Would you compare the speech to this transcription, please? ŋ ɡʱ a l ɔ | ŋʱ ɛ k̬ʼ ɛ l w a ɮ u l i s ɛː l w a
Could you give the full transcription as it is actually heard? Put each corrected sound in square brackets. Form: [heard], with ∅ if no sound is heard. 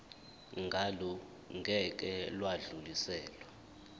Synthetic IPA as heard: ŋ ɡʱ a l ɔ | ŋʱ ɛ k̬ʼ ɛ l w a ɮ u l i s ɛː l w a